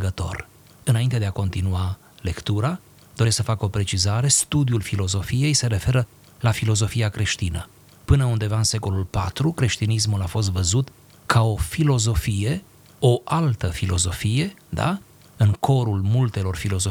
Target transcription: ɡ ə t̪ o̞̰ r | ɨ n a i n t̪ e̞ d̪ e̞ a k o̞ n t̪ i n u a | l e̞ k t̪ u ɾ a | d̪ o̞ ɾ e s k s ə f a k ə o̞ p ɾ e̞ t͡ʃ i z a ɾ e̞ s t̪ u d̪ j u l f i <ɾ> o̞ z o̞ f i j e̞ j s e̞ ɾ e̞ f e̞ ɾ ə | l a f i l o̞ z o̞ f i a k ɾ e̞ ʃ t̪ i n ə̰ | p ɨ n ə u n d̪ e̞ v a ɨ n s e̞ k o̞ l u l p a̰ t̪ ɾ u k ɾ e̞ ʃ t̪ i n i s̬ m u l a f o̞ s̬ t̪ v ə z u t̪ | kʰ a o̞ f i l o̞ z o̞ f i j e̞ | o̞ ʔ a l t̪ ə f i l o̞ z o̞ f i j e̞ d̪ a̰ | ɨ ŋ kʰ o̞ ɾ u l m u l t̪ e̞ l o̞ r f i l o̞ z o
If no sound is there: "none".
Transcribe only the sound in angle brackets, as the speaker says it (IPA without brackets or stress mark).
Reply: l